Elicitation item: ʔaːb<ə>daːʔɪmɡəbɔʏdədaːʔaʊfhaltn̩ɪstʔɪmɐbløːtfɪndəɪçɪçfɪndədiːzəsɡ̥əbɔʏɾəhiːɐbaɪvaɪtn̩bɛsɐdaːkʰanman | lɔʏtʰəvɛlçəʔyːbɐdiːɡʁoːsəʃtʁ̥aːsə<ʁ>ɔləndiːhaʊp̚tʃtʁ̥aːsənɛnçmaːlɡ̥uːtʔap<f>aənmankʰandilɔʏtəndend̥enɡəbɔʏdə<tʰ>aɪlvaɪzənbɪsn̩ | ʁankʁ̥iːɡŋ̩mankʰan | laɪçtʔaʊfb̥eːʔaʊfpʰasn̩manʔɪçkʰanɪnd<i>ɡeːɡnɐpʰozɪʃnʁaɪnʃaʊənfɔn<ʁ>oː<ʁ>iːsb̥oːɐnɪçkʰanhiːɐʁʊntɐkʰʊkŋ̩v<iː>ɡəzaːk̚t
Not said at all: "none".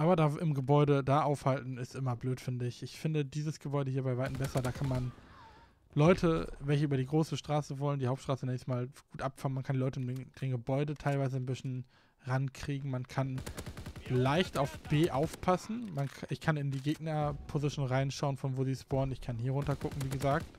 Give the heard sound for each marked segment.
ɐ, v, f, tʰ, iː, v, z, iː

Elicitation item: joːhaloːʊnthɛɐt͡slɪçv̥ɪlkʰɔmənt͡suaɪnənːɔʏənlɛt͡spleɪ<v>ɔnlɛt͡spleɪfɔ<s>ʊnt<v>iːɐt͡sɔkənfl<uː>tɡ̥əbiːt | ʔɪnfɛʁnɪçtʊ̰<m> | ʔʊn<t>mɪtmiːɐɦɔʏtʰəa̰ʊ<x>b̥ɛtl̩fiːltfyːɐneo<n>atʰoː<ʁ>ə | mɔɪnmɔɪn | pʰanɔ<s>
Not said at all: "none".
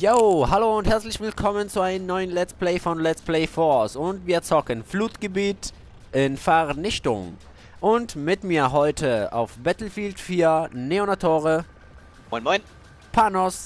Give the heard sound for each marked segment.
f, s, v, uː, ŋ, t, f, n, ʁ, s

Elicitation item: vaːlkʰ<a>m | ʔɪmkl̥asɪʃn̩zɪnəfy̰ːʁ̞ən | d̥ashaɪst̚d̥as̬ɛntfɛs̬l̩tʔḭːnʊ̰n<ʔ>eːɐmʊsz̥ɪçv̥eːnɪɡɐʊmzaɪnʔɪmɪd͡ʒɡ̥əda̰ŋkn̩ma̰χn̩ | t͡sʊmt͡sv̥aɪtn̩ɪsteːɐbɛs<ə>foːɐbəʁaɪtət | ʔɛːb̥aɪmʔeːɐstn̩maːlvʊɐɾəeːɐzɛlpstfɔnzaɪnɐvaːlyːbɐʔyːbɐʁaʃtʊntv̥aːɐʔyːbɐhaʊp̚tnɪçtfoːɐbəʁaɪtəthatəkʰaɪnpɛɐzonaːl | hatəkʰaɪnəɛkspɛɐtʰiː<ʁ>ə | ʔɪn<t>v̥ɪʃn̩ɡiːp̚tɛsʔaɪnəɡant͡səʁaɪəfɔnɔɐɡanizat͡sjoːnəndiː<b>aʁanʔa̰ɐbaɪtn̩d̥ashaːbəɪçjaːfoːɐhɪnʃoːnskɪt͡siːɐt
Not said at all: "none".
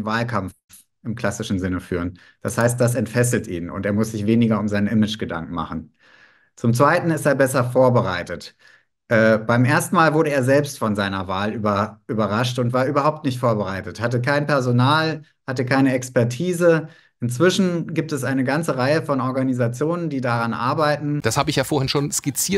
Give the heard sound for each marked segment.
a, t, ɐ, z, t͡s, d

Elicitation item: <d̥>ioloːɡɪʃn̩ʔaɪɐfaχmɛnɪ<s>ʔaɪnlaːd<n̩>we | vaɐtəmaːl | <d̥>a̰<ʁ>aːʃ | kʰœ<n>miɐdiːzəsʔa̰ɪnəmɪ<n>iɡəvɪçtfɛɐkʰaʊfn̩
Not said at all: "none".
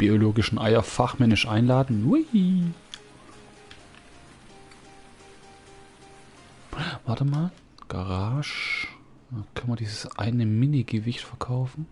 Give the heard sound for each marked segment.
b̥, ʃ, n̩, ɡ̥, ʁ, n, n

